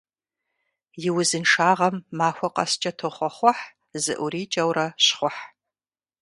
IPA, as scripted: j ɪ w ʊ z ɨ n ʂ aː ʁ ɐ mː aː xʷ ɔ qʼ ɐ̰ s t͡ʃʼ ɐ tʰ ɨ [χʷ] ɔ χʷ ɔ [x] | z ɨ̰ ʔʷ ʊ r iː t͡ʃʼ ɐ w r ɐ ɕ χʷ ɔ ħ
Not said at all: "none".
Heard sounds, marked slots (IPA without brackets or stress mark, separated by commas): χʷ, ħ